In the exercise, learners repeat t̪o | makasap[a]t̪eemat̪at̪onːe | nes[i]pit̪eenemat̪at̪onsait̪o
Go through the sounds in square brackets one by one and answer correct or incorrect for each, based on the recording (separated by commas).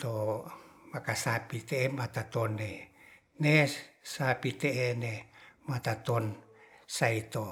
incorrect, incorrect